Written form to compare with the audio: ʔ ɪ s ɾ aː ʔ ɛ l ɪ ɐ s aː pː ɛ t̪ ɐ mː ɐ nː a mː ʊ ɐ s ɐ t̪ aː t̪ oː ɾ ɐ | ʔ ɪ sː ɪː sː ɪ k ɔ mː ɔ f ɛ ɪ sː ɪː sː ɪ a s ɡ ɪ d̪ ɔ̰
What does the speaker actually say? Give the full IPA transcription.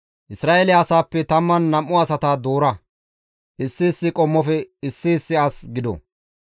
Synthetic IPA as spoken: ʔ ɪ s ɾ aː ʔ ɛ l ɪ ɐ s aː pː ɛ t̪ ɐ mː ɐ nː ɐ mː ʊ ɐ s ɐ t̪ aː d̪ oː ɾ ɐ | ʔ ɪ sː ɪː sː ɪ kʼ ɔ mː ɔ f ɛ ɪ sː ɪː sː ɪ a s ɡ ɪ d̪ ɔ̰